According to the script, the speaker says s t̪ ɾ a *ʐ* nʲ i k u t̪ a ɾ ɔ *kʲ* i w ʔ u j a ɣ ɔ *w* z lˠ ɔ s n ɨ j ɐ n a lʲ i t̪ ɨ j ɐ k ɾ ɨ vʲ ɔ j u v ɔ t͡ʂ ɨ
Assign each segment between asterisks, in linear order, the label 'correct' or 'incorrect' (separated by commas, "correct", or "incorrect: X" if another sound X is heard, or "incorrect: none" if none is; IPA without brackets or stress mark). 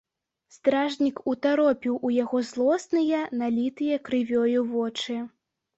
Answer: correct, incorrect: pʲ, incorrect: none